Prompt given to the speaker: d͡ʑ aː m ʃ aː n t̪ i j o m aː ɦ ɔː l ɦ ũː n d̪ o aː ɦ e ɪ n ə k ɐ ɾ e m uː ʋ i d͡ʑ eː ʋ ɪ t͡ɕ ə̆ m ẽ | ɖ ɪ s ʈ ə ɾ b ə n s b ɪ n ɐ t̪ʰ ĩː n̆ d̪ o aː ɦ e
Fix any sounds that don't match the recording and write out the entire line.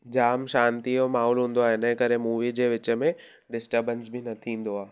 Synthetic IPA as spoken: d͡ʑ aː m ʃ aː n t̪ i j o m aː ɦ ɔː l ɦ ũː n d̪ o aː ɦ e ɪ n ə k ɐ ɾ e m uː ʋ i d͡ʑ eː ʋ ɪ t͡ɕ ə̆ m ẽ | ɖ ɪ s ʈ ə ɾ b ə n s b ɪ n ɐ t̪ʰ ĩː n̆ d̪ o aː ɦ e